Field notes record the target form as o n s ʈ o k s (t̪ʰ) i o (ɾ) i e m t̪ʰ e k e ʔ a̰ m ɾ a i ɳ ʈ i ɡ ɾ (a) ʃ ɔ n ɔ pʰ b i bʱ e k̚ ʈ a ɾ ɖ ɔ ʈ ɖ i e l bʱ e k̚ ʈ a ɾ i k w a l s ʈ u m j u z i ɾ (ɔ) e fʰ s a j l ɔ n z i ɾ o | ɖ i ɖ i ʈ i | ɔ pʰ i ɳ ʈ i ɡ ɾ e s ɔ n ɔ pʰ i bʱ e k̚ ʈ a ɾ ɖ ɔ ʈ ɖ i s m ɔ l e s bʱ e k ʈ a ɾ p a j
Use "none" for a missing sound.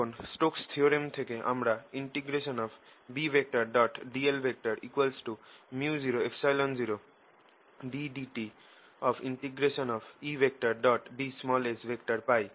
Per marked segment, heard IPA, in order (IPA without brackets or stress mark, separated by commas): t̪ʰ, ɾ, e, o